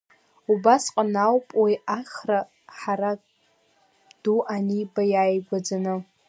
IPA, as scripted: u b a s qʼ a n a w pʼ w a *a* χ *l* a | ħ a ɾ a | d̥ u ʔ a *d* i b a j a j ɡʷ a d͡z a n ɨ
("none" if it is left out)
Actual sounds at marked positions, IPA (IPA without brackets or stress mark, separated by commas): a, r, n